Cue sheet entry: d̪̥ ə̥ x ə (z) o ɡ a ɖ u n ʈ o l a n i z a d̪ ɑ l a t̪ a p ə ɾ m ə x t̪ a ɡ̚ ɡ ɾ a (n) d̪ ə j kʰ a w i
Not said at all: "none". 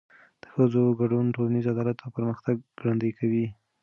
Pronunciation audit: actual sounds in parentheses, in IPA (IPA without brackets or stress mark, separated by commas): z, n